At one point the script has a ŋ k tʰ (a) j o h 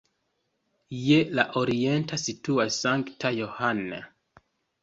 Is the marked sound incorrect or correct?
correct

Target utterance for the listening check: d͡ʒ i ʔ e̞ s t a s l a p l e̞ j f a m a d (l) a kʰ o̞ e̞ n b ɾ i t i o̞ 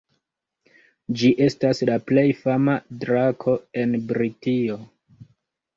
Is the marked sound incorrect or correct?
incorrect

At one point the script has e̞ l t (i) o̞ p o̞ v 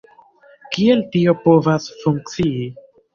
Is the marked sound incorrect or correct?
correct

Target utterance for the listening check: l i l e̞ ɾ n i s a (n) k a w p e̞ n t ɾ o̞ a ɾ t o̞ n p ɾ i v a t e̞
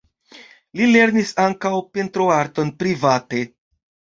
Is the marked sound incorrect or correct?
incorrect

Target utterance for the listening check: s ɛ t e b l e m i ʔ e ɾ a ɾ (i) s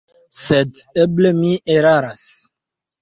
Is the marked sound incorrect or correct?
incorrect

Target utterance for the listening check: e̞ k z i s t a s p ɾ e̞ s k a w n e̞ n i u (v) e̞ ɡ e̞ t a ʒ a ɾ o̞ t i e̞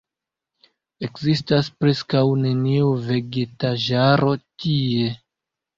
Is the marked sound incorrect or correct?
correct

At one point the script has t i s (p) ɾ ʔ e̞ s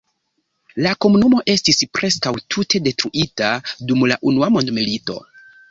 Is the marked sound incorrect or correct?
correct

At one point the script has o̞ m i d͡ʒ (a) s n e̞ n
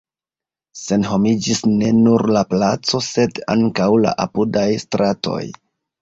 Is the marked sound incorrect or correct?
incorrect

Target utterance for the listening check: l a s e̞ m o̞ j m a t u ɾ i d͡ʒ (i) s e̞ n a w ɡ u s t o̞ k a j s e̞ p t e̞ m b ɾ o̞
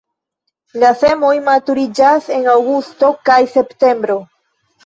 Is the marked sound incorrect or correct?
incorrect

